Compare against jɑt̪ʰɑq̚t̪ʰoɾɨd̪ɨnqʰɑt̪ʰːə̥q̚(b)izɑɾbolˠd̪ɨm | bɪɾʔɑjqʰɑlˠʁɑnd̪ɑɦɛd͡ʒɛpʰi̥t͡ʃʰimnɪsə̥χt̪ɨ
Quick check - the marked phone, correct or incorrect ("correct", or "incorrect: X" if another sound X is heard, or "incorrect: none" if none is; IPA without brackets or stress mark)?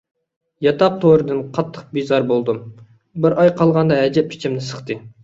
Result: correct